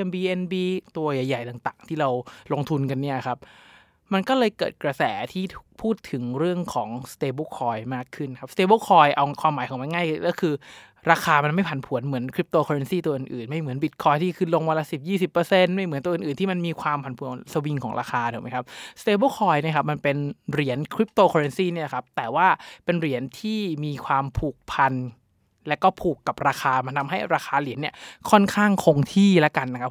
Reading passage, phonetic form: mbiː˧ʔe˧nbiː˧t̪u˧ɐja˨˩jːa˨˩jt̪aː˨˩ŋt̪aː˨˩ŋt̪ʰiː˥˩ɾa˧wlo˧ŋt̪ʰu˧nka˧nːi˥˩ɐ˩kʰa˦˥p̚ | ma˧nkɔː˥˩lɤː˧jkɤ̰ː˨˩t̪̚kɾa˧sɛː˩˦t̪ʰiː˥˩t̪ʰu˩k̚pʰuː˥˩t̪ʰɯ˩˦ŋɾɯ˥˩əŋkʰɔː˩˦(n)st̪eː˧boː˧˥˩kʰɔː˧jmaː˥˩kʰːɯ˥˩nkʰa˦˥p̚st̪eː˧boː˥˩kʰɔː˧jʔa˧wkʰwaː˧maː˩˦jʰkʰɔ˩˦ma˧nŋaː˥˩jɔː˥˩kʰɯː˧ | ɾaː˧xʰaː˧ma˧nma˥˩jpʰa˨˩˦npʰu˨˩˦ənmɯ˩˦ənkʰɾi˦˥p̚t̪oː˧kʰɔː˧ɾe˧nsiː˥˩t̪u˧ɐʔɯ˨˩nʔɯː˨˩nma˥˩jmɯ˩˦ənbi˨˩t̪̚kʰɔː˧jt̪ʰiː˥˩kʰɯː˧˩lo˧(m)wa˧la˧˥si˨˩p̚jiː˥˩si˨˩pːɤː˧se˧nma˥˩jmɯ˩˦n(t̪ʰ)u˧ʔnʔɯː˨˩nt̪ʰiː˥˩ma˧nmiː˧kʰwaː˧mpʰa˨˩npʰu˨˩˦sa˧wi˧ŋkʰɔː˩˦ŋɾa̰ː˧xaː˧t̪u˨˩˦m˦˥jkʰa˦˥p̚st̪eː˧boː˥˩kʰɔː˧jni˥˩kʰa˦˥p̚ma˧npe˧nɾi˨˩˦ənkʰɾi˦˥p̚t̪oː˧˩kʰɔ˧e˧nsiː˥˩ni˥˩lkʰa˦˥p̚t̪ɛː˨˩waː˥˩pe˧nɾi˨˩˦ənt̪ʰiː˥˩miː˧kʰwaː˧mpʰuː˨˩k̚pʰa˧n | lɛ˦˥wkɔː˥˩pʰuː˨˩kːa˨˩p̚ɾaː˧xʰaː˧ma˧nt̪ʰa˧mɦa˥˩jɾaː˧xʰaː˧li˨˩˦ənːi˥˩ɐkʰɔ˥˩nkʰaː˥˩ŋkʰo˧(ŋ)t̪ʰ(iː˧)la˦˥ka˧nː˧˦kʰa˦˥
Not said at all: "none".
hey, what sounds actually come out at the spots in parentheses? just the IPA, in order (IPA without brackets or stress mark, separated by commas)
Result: ŋ, ŋ, t̪, ŋ, iː˥˩